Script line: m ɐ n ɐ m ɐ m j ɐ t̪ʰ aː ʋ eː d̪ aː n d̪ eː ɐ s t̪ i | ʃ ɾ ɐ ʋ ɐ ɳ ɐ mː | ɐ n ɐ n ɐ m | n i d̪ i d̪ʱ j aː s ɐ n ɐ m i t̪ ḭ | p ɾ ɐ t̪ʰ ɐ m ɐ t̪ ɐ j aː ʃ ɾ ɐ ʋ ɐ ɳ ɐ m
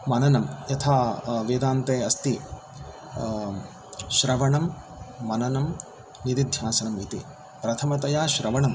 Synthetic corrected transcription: m ɐ n ɐ n ɐ m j ɐ t̪ʰ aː ʋ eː d̪ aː n t̪ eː ɐ s t̪ i | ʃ ɾ ɐ ʋ ɐ ɳ ɐ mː | ɐ n ɐ n ɐ m | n i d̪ i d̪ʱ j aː s ɐ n ɐ m i t̪ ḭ | p ɾ ɐ t̪ʰ ɐ m ɐ t̪ ɐ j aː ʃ ɾ ɐ ʋ ɐ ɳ ɐ m